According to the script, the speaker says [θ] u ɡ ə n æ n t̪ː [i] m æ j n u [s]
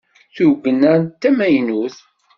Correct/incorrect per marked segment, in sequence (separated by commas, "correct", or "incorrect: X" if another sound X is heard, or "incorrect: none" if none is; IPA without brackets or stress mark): correct, incorrect: æ, incorrect: θ